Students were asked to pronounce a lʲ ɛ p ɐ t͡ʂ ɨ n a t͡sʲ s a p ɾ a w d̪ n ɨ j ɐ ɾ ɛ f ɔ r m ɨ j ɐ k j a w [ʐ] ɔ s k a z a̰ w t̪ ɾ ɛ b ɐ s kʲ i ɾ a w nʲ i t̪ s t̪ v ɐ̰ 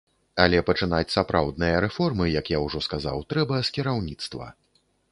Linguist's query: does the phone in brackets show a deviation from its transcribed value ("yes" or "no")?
no